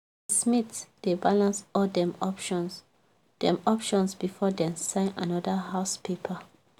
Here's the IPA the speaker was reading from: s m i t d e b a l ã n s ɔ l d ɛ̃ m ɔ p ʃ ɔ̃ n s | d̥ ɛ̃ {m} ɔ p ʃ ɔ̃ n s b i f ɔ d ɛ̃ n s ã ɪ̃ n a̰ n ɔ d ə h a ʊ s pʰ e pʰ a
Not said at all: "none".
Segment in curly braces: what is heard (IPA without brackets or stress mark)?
m